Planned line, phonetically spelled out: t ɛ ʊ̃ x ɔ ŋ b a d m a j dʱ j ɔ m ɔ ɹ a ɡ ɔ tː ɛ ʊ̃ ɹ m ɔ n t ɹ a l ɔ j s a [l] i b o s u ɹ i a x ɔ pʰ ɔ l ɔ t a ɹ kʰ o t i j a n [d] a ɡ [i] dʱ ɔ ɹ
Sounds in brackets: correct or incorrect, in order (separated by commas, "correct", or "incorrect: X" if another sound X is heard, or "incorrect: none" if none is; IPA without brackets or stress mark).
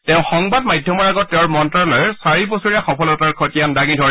incorrect: ɹ, correct, correct